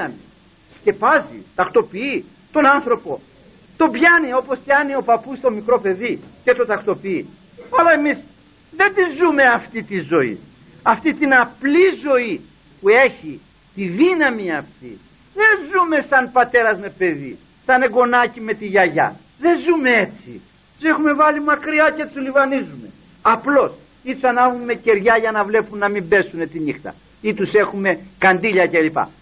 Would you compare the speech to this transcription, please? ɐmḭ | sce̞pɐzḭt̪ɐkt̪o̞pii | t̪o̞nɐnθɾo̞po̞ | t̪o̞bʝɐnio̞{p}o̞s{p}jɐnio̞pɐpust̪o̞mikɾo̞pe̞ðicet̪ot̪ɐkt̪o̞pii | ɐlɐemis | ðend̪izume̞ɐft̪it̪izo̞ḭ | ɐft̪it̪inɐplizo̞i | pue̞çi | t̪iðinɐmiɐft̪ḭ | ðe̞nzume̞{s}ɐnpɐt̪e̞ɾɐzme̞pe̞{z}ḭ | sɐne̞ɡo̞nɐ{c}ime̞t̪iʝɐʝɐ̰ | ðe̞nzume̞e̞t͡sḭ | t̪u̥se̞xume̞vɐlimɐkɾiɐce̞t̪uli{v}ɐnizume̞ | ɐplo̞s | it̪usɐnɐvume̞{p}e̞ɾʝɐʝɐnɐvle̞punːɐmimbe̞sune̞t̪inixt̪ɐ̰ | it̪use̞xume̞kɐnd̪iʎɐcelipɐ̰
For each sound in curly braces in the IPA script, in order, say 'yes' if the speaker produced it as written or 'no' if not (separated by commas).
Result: yes, yes, yes, no, yes, yes, no